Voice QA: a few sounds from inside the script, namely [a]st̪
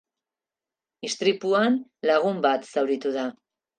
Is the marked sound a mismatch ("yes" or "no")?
yes